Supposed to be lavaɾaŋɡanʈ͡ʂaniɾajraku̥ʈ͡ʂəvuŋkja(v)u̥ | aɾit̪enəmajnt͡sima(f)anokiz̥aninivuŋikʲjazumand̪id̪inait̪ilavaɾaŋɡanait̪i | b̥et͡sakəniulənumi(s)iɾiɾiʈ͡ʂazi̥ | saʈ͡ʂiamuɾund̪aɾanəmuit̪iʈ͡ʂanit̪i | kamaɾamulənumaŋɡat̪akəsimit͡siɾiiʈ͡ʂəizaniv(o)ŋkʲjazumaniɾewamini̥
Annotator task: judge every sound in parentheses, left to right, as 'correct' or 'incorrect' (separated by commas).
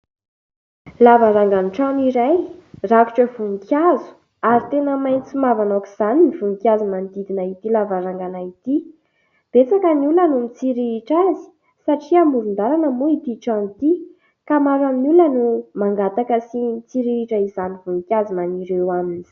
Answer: incorrect, incorrect, incorrect, incorrect